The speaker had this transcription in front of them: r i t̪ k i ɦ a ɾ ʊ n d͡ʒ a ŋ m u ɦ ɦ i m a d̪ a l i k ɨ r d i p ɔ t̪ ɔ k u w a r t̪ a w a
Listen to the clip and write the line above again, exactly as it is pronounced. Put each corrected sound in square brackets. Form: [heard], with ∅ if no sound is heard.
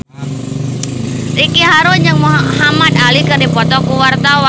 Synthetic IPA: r i [∅] k i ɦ a ɾ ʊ n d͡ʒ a ŋ m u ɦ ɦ [a] m a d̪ a l i k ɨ r d i p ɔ t̪ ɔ k u w a r t̪ a w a

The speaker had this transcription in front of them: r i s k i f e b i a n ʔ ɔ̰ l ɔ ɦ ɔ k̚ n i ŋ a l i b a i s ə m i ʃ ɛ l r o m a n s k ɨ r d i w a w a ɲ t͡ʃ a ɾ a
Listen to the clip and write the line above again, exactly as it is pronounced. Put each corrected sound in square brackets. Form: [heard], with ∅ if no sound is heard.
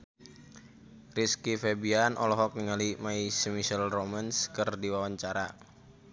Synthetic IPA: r i s k i f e b i a n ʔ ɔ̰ l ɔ ɦ ɔ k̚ n i ŋ a l i [m] a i s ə m i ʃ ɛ l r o m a n s k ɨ r d i w a w a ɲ t͡ʃ a ɾ a

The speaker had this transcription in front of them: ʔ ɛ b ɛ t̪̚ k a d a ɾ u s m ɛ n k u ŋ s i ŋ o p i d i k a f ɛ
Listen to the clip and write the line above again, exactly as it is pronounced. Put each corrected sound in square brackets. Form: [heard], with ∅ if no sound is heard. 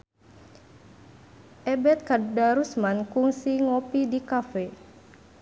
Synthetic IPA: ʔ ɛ b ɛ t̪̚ k a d a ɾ u s m [a] n k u ŋ s i ŋ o p i d i k a f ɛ

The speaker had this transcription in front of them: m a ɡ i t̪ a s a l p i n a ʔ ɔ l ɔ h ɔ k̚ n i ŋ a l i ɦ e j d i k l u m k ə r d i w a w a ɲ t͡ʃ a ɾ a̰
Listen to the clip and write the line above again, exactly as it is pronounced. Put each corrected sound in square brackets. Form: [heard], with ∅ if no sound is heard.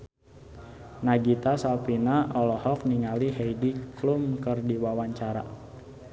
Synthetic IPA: [n] a ɡ i t̪ a s a l p i n a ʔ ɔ l ɔ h ɔ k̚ n i ŋ a l i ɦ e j d i k l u m k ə r d i w a w a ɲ t͡ʃ a ɾ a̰

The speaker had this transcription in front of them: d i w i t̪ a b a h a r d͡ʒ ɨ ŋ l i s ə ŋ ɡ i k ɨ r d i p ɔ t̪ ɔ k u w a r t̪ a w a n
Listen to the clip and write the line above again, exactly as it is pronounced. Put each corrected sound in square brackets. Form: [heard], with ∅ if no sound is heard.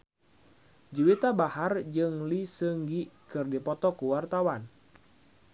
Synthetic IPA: [d͡ʒ] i w i t̪ a b a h a r d͡ʒ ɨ ŋ l i s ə ŋ ɡ i k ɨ r d i p ɔ t̪ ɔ k u w a r t̪ a w a n

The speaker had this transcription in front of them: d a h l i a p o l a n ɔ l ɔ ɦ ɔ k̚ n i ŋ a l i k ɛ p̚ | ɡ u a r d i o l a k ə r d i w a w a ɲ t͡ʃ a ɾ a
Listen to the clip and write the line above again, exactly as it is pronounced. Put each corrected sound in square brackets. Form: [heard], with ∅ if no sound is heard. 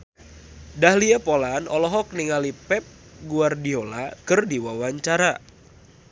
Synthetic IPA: d a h l i a p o l a n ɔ l ɔ ɦ ɔ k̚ n i ŋ a l i [p] ɛ p̚ | ɡ u a r d i o l a k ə r d i w a w a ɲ t͡ʃ a ɾ a

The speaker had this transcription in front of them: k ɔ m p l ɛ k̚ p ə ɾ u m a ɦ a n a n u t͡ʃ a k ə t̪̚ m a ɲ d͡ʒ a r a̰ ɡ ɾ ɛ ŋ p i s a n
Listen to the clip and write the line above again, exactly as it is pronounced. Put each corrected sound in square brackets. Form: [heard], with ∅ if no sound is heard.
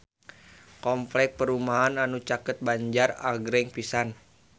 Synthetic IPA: k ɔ m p l ɛ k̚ p ə ɾ u m a ɦ a n a n u t͡ʃ a k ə t̪̚ [b] a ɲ d͡ʒ a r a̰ ɡ ɾ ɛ ŋ p i s a n

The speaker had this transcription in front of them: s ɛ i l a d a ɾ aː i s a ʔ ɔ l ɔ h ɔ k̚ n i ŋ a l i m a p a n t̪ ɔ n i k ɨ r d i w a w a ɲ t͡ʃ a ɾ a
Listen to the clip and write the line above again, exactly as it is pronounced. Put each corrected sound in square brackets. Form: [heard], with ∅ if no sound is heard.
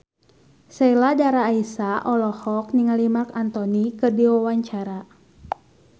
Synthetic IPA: s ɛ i l a d a ɾ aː i s a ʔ ɔ l ɔ h ɔ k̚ n i ŋ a l i m a [k] a n t̪ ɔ n i k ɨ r d i w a w a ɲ t͡ʃ a ɾ a

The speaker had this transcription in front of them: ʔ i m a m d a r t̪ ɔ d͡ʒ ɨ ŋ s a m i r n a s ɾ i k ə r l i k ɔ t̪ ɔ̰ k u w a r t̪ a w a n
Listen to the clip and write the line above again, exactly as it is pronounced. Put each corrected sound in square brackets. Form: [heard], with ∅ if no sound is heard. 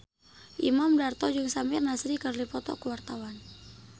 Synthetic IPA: ʔ i m a m d a r t̪ ɔ d͡ʒ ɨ ŋ s a m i r n a s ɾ i k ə r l i [p] ɔ t̪ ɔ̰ k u w a r t̪ a w a n

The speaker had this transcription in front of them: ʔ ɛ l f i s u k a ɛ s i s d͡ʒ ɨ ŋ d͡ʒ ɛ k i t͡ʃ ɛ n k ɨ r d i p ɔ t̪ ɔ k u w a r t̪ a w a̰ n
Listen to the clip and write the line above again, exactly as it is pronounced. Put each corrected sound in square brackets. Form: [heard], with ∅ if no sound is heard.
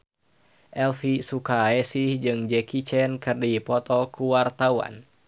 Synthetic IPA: ʔ ɛ l f i s u k a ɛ s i [h] d͡ʒ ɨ ŋ d͡ʒ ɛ k i t͡ʃ ɛ n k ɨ r d i p ɔ t̪ ɔ k u w a r t̪ a w a̰ n

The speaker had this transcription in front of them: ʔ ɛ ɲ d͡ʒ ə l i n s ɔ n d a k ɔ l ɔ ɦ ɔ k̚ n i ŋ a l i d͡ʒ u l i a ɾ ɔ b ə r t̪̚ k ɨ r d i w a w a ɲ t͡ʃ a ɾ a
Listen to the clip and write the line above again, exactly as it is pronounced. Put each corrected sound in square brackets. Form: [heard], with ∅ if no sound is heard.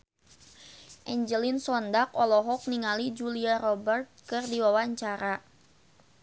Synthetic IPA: ʔ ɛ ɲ d͡ʒ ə l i n s ɔ n d a k ɔ l ɔ ɦ ɔ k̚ n i ŋ a l i d͡ʒ u l i a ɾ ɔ b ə r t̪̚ k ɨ r d i w a w a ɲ t͡ʃ a ɾ a

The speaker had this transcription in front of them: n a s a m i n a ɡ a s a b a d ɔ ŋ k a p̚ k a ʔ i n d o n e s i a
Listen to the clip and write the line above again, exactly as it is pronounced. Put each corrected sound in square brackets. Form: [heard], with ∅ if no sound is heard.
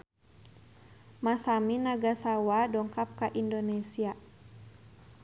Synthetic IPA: [m] a s a m i n a ɡ a s a [w] a d ɔ ŋ k a p̚ k a ʔ i n d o n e s i a

